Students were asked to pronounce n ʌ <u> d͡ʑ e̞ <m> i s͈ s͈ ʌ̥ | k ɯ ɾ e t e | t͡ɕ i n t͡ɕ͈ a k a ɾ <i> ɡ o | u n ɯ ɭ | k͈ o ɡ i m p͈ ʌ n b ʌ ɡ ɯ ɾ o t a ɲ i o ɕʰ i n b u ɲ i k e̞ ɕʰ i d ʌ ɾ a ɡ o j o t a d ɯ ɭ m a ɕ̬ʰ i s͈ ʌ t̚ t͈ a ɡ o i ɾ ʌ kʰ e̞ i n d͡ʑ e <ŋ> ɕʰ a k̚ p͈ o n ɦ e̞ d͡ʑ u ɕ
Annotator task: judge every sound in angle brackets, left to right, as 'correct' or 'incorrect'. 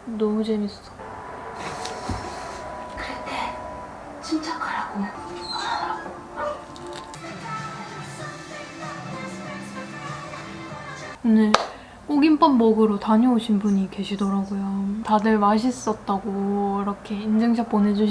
correct, correct, incorrect: a, correct

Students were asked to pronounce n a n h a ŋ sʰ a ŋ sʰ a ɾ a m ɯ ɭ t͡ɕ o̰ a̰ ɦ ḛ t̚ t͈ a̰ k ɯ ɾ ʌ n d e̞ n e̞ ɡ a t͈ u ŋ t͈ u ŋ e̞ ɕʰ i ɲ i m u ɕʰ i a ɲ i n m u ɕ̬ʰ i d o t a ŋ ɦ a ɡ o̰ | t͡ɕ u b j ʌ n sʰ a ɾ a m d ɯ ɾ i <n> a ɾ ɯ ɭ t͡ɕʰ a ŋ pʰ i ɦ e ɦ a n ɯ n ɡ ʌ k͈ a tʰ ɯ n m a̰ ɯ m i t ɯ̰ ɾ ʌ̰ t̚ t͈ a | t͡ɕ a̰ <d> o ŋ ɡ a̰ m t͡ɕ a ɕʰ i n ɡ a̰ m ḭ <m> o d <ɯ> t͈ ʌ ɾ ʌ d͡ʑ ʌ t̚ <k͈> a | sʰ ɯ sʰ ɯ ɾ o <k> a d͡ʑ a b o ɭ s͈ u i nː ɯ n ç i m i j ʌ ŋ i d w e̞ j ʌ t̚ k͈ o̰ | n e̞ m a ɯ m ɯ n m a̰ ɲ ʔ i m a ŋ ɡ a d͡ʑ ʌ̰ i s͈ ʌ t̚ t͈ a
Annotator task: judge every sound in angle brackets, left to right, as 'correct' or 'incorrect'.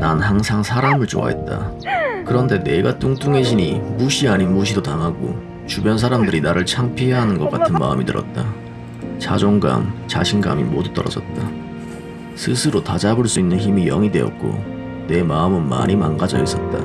correct, incorrect: d͡ʑ, correct, incorrect: u, incorrect: t͈, incorrect: t

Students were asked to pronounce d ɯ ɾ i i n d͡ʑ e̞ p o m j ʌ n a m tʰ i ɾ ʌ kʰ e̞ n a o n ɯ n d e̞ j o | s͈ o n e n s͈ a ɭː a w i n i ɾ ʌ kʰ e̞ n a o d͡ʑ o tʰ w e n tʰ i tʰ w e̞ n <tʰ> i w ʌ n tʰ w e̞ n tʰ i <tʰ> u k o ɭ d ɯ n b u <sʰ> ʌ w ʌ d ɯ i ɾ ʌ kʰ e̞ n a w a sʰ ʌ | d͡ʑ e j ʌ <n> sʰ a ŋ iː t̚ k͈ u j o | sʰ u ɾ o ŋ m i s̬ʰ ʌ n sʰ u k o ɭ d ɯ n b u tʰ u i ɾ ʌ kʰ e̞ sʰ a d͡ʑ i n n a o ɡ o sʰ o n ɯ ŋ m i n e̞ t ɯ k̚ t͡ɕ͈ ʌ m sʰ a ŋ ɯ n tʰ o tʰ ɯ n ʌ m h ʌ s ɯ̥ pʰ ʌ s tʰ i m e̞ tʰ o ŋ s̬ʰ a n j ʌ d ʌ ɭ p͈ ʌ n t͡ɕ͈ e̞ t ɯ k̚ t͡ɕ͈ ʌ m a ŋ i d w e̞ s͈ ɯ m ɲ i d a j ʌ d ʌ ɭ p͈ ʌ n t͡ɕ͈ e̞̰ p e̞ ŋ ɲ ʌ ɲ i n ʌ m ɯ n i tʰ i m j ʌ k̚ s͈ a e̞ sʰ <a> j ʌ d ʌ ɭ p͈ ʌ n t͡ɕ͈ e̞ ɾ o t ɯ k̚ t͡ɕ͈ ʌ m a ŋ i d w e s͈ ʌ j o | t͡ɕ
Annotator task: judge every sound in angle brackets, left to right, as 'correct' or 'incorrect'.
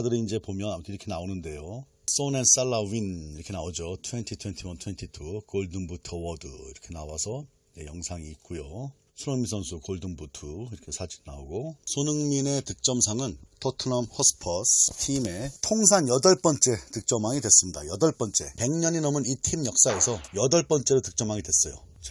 correct, correct, incorrect: tʰ, incorrect: ŋ, incorrect: ʌ

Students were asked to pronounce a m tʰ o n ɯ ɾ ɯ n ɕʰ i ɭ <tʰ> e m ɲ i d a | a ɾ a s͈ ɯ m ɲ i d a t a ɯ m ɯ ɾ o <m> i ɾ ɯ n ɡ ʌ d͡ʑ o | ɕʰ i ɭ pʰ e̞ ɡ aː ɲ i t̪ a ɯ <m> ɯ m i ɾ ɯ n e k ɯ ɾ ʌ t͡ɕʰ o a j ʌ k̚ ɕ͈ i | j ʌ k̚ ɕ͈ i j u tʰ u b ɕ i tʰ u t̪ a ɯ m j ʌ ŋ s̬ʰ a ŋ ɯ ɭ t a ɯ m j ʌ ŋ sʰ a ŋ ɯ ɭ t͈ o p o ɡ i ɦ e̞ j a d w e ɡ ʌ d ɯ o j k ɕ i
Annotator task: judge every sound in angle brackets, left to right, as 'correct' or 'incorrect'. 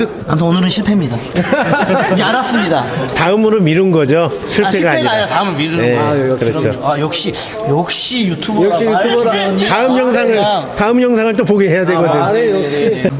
incorrect: pʰ, correct, correct

